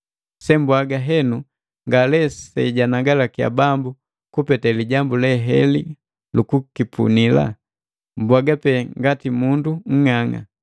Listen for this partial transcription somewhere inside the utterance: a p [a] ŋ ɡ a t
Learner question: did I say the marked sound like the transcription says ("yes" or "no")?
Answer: no